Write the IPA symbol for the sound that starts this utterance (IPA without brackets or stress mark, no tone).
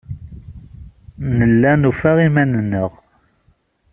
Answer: n